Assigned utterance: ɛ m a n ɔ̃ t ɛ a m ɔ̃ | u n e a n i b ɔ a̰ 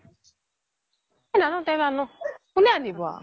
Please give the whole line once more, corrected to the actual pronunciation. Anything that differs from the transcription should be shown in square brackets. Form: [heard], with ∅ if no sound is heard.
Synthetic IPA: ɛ [n] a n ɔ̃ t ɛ a [n] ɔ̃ | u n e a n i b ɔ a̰